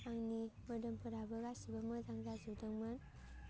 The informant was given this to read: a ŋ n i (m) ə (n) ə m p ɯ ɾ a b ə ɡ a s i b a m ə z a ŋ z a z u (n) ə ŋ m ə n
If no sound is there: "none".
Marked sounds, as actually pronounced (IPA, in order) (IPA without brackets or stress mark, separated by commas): m, d, d